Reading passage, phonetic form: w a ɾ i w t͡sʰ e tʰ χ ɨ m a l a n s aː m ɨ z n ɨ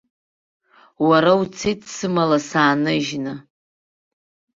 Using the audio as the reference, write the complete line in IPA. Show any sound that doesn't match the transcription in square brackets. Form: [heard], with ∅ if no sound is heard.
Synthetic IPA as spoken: w a ɾ [a] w t͡sʰ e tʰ [s] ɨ m a l a [∅] s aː [n] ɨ [ʒ] n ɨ